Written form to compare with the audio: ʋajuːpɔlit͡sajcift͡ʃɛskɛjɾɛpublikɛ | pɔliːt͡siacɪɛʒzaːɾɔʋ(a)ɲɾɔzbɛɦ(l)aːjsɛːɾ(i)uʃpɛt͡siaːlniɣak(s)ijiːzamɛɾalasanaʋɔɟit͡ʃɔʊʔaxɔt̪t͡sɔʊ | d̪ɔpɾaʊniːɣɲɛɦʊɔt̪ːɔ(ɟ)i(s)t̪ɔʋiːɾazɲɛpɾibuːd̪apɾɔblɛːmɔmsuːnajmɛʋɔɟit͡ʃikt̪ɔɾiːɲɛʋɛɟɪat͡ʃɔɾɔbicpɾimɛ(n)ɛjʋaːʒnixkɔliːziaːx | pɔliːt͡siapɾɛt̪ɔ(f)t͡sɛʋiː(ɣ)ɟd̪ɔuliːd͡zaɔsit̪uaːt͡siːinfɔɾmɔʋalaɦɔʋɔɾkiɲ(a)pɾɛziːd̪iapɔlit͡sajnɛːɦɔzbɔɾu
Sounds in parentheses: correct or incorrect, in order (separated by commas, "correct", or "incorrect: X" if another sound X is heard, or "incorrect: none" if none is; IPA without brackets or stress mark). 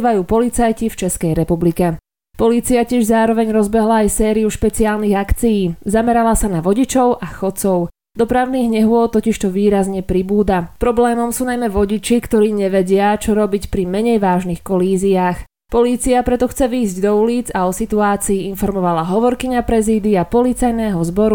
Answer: incorrect: ɛ, correct, correct, incorrect: t͡s, incorrect: c, incorrect: ʃ, incorrect: ɲ, incorrect: x, incorrect: z, correct